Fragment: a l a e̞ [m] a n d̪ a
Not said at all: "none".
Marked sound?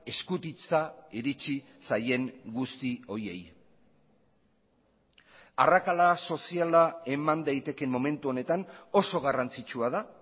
m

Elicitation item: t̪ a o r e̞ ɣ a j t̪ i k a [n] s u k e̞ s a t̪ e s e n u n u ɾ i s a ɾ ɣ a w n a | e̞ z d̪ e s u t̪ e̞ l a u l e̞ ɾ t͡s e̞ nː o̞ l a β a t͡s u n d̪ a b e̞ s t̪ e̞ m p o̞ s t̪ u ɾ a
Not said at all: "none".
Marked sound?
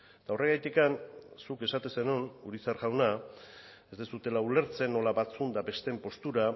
n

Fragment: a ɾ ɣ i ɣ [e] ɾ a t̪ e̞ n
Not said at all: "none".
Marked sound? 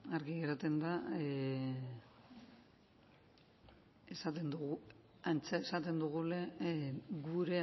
e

